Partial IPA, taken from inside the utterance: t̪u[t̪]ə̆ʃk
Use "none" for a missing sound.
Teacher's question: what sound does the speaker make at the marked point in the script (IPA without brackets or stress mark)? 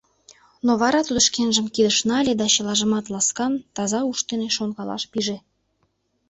d̪